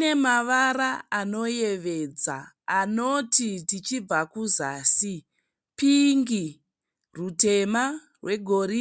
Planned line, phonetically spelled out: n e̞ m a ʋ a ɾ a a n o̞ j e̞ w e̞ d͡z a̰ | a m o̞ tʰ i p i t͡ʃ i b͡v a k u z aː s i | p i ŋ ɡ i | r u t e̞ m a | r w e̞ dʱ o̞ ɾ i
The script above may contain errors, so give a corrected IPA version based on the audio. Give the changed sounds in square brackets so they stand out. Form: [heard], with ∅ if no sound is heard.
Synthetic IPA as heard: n e̞ m a ʋ a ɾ a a n o̞ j e̞ [ʋ] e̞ d͡z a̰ | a [n] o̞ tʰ i [t] i t͡ʃ i b͡v a k u z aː s i | p i ŋ ɡ i | r u t e̞ m a | r w e̞ [ɡʱ] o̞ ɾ i